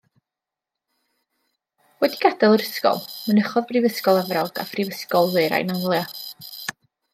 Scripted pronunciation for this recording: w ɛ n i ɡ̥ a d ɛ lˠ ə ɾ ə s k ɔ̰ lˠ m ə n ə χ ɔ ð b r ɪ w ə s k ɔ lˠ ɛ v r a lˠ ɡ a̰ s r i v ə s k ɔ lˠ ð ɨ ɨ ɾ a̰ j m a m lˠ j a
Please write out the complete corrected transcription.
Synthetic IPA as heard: w ɛ d i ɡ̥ a d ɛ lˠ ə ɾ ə s k ɔ̰ lˠ m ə n ə χ ɔ ð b r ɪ v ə s k ɔ lˠ ɛ v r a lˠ ɡ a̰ f r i v ə s k ɔ lˠ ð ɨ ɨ ɾ a̰ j n a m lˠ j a

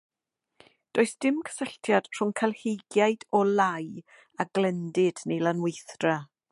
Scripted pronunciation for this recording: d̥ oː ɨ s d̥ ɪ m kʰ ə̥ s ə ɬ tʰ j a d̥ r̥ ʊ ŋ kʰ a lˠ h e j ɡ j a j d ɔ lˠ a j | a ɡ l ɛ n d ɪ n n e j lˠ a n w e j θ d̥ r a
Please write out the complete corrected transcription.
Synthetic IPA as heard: d̥ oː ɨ s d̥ ɪ m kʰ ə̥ s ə ɬ tʰ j a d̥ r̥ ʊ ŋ kʰ a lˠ h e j ɡ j a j d ɔ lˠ a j | a ɡ l ɛ n d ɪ d n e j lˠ a n w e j θ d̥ r a

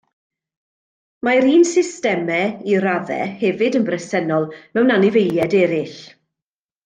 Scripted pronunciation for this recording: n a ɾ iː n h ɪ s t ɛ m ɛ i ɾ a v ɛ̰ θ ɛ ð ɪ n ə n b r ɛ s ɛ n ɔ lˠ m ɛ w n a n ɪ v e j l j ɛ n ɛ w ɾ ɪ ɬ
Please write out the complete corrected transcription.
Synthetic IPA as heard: m a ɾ iː n s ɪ s t ɛ m ɛ i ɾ a v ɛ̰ h ɛ v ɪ d ə n b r ɛ s ɛ n ɔ lˠ m ɛ w n a n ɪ v e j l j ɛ d ɛ ɾ ɪ ɬ

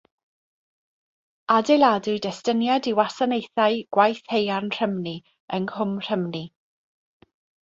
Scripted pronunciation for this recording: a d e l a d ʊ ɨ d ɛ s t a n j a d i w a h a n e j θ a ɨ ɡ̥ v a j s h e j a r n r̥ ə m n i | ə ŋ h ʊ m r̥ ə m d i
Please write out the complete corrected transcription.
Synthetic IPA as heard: a d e l a d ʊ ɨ d ɛ s t ə n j a d i w a s a n e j θ a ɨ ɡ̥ w a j θ h e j a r n r̥ ə m n i | ə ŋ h ʊ m r̥ ə m n i

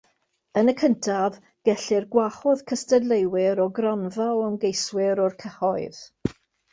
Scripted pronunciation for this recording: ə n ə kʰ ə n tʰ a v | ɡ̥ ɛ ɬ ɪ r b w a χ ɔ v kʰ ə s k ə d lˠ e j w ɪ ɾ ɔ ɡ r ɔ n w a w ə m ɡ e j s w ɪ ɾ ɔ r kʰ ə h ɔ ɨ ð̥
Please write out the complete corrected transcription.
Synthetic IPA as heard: ə n ə kʰ ə n tʰ a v | ɡ̥ ɛ ɬ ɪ r ɡ w a χ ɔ ð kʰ ə s t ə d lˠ e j w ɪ ɾ ɔ ɡ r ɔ n v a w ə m ɡ e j s w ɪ ɾ ɔ r kʰ ə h ɔ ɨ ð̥

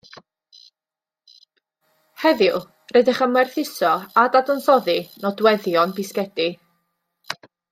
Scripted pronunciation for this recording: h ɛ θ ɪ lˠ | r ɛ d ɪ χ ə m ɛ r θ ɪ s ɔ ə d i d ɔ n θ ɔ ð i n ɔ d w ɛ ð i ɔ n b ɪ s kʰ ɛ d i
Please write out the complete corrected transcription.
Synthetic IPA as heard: h ɛ ð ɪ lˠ | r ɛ d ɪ χ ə m ɛ r θ ɪ s ɔ a d a d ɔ n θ ɔ ð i n ɔ d w ɛ ð j ɔ n b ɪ s k ɛ d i

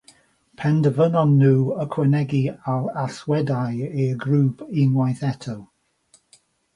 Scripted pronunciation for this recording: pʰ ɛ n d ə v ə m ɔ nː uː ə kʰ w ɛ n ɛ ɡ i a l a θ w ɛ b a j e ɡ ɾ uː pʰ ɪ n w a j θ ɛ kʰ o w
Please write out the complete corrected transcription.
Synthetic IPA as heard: pʰ ɛ n d ə v ə n ɔ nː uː ə kʰ w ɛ n ɛ ɡ i a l a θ w ɛ d a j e ɡ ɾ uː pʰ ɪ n w a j θ ɛ tʰ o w

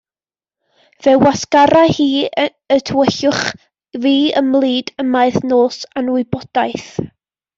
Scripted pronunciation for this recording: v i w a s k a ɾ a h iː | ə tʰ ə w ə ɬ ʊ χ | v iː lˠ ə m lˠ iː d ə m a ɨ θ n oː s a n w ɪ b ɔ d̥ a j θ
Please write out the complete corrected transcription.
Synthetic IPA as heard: v ɛ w a s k a ɾ a h iː | ə tʰ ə w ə ɬ ʊ χ | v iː ə m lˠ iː d ə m a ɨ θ n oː s a n w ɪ b ɔ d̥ a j θ

